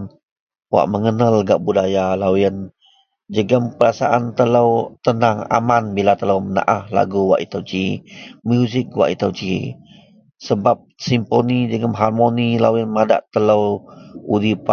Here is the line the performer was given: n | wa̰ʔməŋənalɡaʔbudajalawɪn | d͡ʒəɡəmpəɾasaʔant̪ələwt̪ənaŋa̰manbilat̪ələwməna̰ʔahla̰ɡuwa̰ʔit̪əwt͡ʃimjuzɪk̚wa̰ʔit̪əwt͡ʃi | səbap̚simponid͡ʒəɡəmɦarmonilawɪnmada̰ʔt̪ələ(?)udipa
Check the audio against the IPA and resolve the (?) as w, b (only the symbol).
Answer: w